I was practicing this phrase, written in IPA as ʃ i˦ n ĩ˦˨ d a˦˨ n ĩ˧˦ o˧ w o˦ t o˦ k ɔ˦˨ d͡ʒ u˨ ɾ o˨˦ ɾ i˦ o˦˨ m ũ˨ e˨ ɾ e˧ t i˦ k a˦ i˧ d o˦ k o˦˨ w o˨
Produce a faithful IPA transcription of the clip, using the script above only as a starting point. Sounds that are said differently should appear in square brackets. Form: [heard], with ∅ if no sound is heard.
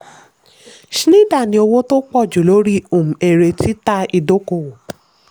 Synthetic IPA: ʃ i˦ n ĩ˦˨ d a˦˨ n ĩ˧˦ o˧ w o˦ t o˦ [k͡p] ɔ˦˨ d͡ʒ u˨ [l] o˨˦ ɾ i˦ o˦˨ m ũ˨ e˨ ɾ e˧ t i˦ [t] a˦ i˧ d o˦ k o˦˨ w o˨